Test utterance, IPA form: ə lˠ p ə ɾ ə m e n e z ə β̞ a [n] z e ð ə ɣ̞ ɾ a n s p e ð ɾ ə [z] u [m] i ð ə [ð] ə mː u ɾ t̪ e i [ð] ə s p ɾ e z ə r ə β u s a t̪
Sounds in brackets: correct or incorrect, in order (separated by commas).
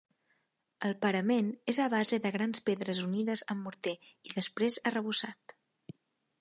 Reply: incorrect, correct, incorrect, incorrect, correct